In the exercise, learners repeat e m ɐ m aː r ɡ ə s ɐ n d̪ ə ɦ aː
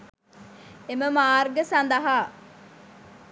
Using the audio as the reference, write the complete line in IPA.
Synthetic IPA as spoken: e m ə m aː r ɡ ə s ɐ n d̪ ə ɦ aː